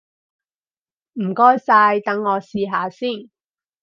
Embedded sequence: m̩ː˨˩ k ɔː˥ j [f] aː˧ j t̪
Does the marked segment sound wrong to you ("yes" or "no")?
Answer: yes